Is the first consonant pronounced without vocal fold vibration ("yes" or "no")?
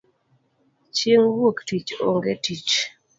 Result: yes